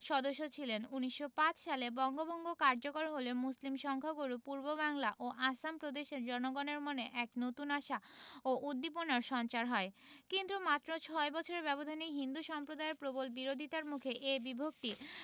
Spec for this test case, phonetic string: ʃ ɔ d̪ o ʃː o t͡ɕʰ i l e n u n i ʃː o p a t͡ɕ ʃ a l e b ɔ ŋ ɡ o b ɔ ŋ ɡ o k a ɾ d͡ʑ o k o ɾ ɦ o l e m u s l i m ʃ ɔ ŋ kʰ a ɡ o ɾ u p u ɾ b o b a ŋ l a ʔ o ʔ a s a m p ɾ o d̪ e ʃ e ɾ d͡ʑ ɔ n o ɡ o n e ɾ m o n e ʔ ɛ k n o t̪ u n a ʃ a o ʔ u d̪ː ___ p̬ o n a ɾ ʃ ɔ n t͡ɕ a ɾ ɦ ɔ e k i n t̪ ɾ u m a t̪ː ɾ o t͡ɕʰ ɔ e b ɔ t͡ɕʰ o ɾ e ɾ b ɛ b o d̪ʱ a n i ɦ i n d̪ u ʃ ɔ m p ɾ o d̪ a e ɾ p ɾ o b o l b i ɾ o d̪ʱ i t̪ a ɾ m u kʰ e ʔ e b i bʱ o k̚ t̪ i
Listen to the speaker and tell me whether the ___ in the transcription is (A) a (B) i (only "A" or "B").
B